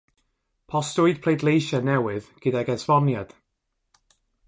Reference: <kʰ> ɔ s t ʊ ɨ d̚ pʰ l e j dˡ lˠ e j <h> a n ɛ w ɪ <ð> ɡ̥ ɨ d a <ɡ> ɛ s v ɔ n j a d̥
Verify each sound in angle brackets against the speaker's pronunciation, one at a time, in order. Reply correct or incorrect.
incorrect: pʰ, incorrect: ʃ, correct, correct

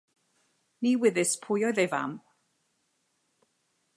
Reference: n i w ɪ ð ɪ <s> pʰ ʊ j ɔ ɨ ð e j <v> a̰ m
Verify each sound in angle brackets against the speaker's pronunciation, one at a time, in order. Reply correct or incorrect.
correct, correct

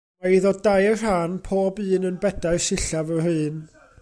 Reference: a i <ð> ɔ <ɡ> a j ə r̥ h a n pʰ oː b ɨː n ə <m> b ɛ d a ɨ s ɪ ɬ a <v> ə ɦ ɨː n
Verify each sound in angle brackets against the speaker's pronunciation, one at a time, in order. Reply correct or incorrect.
correct, incorrect: d, incorrect: n, correct

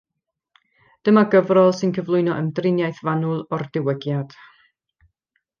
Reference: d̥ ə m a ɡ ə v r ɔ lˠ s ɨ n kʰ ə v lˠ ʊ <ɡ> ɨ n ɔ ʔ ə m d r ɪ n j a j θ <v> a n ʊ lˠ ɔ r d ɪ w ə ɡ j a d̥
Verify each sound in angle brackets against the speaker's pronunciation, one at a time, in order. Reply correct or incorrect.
incorrect: none, correct

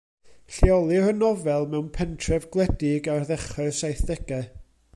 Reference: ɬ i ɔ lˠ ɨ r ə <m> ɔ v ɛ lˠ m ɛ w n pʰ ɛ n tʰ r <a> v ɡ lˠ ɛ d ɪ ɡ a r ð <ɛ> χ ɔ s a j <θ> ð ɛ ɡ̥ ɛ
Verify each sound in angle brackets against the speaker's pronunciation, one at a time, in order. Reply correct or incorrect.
incorrect: n, incorrect: ɛ, correct, correct

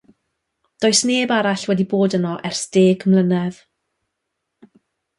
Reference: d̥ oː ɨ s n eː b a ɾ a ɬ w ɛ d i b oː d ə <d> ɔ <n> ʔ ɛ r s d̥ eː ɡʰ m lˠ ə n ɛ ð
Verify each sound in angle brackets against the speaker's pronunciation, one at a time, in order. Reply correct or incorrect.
incorrect: n, incorrect: none

